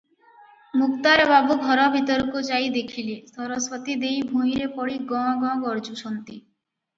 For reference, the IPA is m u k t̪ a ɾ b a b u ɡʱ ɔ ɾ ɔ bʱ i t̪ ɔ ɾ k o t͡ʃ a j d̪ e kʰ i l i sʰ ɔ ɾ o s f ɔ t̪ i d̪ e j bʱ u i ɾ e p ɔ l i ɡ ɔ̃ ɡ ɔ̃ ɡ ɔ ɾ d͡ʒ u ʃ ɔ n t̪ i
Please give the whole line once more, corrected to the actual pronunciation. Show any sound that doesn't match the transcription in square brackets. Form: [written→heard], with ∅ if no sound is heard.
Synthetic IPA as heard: m u k t̪ a ɾ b a b u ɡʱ ɔ ɾ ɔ bʱ i t̪ ɔ ɾ k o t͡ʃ a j d̪ e kʰ i l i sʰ ɔ ɾ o s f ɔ t̪ i d̪ e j bʱ u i ɾ e p ɔ [l→ɽ] i ɡ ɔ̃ ɡ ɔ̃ ɡ ɔ ɾ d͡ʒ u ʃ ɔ n t̪ i